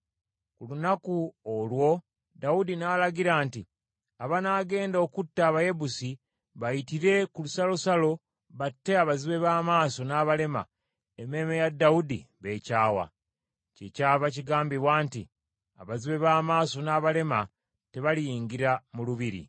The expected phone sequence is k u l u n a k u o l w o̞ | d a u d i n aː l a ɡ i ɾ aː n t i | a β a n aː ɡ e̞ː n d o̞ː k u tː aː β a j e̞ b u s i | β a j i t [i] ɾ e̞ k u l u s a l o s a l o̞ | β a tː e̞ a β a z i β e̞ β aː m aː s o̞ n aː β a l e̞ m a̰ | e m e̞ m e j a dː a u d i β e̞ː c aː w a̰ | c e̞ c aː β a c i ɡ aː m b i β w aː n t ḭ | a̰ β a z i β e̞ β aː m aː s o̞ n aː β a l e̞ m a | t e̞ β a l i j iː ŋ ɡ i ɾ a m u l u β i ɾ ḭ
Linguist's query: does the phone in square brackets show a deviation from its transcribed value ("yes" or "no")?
no